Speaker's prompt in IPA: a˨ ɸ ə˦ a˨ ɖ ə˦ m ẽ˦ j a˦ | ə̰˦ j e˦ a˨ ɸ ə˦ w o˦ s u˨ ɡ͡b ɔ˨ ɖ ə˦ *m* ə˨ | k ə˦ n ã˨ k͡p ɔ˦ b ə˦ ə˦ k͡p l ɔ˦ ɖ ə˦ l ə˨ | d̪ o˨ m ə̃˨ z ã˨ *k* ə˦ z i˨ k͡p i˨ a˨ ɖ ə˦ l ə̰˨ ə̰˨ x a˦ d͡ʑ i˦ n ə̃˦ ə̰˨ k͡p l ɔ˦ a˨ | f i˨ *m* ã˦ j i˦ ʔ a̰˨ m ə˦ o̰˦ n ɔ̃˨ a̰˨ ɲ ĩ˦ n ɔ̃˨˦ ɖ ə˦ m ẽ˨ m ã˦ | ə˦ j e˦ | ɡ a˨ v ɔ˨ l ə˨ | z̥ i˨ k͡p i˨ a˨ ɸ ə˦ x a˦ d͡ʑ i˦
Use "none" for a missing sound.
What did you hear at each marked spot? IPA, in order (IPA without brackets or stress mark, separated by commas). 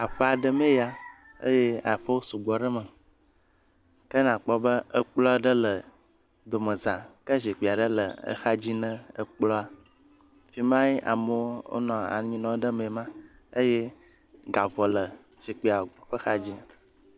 m, k, m